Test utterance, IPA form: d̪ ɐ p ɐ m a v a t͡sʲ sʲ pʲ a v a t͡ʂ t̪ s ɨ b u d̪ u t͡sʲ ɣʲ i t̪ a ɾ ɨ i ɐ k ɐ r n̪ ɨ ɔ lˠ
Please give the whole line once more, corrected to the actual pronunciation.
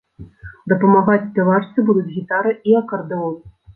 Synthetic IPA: d̪ ɐ p ɐ m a ɣ a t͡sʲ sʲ pʲ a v a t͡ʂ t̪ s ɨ b u d̪ u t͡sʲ ɣʲ i t̪ a ɾ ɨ i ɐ k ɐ r d̪ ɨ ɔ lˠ